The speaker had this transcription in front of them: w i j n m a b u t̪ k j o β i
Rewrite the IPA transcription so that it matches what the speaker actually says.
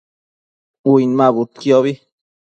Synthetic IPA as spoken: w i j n m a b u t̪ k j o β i